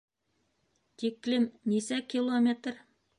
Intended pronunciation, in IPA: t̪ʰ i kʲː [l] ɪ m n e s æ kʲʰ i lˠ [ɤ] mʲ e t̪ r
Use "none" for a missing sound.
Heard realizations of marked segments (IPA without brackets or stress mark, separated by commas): l, o